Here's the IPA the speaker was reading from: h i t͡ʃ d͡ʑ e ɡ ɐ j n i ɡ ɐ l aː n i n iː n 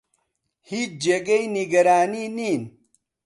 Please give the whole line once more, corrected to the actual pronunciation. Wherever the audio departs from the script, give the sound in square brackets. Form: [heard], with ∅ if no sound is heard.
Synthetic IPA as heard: h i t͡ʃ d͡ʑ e ɡ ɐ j n i ɡ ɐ [ɾ] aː n i n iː n